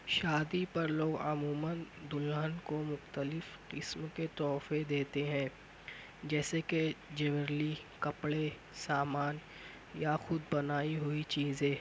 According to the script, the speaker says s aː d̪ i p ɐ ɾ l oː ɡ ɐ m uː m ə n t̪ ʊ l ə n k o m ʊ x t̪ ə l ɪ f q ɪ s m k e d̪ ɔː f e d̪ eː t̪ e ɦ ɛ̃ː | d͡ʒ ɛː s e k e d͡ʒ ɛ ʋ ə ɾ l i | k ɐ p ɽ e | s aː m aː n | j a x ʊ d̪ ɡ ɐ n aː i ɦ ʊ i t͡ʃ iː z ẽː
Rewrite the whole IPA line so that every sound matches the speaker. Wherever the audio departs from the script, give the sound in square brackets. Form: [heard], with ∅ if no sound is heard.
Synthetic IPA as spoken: [ʃ] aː d̪ i p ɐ ɾ l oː ɡ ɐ m uː m ə n [d̪] ʊ l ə n k o m ʊ x t̪ ə l ɪ f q ɪ s m k e [t̪] ɔː f e d̪ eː t̪ e ɦ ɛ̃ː | d͡ʒ ɛː s e k e d͡ʒ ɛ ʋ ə ɾ l i | k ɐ p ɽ e | s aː m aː n | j a x ʊ d̪ [b] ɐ n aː i ɦ ʊ i t͡ʃ iː z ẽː